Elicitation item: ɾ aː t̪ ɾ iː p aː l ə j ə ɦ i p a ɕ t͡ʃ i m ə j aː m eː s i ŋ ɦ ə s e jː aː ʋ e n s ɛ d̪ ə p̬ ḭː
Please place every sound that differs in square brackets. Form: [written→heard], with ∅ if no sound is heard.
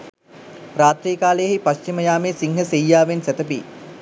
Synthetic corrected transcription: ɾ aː t̪ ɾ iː [p→k] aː l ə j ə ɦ i p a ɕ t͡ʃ i m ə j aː m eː s i ŋ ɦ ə s e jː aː ʋ e n s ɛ [d̪→t̪] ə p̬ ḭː